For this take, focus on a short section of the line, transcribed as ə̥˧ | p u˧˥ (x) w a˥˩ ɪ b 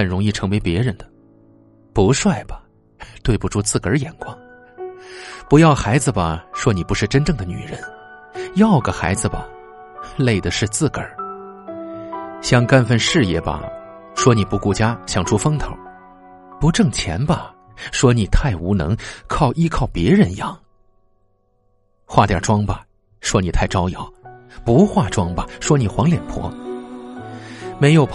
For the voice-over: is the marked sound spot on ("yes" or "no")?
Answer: no